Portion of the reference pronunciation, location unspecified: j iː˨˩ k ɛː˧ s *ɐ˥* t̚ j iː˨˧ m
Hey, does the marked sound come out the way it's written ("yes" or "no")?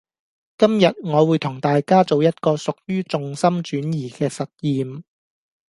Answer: no